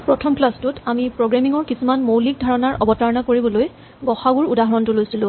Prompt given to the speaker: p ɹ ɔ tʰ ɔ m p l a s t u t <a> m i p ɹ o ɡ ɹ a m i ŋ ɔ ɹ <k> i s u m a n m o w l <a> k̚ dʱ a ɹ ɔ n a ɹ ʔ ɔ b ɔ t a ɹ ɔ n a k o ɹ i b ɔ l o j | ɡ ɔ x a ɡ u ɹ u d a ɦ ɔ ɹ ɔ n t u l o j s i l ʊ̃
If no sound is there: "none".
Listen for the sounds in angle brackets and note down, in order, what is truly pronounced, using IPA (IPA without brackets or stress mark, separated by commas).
a, k, i